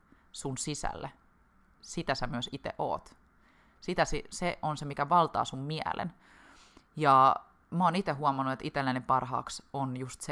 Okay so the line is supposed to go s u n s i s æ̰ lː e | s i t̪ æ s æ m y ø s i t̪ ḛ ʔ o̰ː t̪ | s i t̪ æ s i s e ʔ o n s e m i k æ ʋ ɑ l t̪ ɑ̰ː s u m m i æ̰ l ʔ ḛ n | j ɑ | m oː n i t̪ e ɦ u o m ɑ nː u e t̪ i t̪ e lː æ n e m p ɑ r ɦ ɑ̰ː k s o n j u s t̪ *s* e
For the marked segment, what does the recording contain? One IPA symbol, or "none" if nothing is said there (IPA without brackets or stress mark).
s